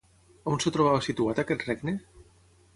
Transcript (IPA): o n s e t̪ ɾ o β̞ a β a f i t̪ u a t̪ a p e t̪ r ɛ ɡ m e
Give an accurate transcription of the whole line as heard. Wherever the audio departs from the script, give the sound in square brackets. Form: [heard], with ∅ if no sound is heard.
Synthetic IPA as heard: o n s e t̪ ɾ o β̞ a β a [s] i t̪ u a t̪ a [k] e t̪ r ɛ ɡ [n] e